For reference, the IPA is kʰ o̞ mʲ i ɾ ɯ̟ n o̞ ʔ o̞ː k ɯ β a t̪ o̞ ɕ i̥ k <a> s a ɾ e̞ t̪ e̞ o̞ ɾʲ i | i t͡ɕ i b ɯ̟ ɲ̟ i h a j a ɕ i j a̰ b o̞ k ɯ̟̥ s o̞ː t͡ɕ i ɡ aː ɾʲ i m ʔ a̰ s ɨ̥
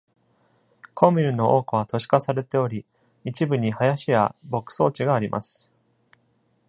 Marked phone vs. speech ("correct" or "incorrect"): correct